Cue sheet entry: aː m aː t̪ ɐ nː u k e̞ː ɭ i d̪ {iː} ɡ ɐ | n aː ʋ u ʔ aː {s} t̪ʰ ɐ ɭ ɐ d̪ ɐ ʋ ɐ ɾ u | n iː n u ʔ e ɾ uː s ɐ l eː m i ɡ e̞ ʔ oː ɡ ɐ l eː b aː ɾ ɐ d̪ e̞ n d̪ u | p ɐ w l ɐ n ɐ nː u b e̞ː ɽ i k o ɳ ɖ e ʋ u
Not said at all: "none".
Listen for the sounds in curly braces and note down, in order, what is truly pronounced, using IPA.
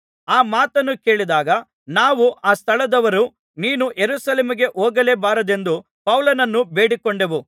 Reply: aː, s

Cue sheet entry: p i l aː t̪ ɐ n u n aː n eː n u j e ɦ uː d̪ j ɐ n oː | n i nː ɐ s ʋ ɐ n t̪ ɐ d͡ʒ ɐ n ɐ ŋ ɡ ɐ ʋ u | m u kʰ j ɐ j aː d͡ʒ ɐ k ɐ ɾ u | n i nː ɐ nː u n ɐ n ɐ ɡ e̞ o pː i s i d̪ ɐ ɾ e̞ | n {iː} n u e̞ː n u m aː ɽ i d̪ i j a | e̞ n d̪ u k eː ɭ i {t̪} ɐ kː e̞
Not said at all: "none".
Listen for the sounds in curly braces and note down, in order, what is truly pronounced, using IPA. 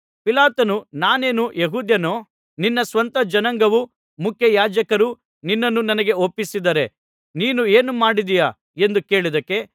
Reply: iː, d̪

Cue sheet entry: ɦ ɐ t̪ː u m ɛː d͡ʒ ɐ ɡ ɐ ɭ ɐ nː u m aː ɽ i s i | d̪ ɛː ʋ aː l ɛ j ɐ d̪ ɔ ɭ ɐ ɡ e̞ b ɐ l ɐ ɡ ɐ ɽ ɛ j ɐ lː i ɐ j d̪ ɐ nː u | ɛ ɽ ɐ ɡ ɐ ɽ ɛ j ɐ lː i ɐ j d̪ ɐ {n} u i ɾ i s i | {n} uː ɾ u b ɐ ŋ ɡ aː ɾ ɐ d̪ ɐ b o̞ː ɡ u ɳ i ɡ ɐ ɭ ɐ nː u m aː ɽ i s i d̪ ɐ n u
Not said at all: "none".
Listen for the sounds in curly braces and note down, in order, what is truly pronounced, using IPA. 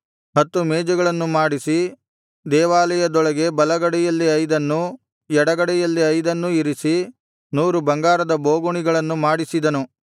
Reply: nː, n

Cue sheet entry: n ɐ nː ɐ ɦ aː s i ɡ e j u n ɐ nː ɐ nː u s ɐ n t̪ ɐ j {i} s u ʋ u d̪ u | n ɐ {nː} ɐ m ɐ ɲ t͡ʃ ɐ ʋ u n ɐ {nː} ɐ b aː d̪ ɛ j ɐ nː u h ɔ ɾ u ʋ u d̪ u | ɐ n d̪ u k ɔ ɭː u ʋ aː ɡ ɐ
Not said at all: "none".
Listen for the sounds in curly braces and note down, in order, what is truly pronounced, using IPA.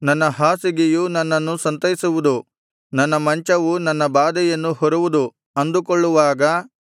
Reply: i, nː, nː

